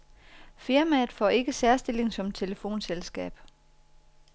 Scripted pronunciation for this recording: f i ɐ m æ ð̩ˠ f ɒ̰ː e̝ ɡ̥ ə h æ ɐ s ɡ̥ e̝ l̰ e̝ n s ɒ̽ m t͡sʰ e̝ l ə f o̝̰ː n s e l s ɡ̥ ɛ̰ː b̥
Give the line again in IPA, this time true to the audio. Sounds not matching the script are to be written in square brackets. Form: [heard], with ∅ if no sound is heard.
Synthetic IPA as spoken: f i ɐ m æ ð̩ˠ f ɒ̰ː e̝ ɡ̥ ə [s] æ ɐ s [d̥] e̝ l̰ e̝ [ŋ] s ɒ̽ m t͡sʰ e̝ l ə f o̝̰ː n s e l s ɡ̥ ɛ̰ː b̥